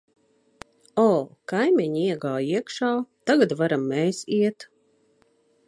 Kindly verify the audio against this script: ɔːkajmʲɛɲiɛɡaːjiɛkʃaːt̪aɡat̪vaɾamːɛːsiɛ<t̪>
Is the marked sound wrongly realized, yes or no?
no